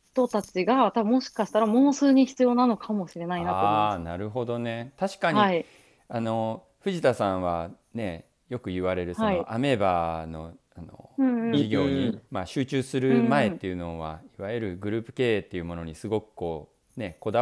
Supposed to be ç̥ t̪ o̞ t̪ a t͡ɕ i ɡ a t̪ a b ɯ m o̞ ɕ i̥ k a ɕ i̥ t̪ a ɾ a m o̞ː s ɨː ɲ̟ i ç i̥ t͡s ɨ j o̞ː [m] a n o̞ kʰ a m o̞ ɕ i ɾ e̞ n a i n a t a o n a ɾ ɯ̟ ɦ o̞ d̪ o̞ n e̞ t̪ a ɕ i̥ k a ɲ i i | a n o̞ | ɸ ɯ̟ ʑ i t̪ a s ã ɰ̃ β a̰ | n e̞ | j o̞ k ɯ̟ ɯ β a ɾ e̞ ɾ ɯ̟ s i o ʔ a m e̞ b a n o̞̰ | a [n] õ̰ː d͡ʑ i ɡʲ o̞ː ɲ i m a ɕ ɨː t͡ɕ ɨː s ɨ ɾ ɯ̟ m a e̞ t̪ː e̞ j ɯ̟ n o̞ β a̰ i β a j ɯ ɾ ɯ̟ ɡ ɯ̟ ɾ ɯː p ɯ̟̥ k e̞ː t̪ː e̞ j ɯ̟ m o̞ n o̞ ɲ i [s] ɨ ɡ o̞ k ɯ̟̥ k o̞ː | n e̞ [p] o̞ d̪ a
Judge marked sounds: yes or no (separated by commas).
no, yes, yes, no